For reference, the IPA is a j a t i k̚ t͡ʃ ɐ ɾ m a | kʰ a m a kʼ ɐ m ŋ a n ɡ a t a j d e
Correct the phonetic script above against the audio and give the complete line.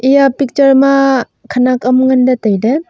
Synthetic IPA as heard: i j a p i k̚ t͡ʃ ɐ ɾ m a | kʰ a n a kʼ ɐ m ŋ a n d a t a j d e